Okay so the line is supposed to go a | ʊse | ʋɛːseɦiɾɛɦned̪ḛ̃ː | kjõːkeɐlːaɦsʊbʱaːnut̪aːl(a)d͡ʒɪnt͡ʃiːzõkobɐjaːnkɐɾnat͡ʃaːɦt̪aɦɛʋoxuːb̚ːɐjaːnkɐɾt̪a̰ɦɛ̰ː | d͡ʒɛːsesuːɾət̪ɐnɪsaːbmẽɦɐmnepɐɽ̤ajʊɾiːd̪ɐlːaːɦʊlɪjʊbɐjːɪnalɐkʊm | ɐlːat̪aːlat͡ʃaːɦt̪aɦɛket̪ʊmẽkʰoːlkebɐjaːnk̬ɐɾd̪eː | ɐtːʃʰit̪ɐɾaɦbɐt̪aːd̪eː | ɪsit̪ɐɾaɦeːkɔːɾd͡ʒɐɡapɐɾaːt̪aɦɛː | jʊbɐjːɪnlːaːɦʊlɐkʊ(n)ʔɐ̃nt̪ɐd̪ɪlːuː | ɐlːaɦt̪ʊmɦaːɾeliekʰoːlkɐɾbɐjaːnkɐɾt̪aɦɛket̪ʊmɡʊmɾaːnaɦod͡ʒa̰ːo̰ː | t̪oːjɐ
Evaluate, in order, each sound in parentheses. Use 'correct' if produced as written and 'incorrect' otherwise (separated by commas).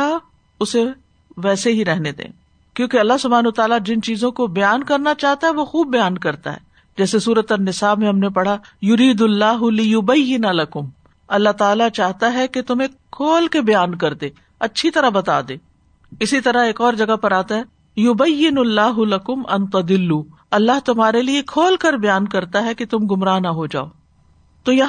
correct, incorrect